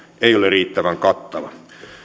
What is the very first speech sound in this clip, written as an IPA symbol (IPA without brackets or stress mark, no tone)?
e